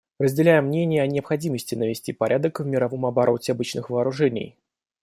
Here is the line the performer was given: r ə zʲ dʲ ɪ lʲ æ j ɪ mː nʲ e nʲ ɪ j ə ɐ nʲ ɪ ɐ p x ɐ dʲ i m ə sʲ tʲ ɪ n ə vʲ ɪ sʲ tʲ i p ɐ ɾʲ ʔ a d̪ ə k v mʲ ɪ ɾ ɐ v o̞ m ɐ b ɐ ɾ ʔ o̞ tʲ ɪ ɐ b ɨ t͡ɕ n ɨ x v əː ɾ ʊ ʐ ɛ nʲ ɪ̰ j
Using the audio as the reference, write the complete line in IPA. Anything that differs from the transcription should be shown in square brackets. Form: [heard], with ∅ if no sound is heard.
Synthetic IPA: r ə zʲ dʲ ɪ lʲ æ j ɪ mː nʲ e nʲ ɪ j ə ɐ nʲ ɪ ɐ p x ɐ dʲ i m ə sʲ tʲ ɪ n ə vʲ ɪ sʲ tʲ i p ɐ ɾʲ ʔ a d̪ ə k v mʲ ɪ ɾ ɐ v o̞ m ɐ b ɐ ɾ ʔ o̞ tʲ ɪ ɐ b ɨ t͡ɕ n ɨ x v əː ɾ ʊ ʐ ɛ nʲ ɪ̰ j